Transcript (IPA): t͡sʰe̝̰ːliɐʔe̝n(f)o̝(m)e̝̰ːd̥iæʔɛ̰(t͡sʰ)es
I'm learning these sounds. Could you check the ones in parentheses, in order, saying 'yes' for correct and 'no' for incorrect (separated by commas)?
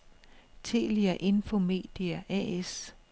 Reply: yes, yes, no